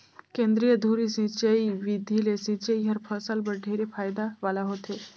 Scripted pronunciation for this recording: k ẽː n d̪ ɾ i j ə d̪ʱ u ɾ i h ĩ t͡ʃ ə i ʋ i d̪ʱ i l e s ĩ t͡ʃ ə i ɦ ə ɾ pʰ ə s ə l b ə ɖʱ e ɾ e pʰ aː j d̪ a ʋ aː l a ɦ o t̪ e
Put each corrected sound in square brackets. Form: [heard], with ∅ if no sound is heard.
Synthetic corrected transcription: k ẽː n d̪ ɾ i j ə d̪ʱ u ɾ i [s] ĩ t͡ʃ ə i ʋ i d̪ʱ i l e s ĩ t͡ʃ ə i ɦ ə ɾ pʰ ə s ə l b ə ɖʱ e ɾ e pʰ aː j d̪ a ʋ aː l a ɦ o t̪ e